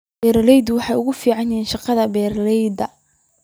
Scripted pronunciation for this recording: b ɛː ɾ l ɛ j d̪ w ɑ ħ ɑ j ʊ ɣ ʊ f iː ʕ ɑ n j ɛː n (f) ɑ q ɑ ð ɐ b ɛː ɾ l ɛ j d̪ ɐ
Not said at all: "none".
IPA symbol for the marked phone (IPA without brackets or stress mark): ʃ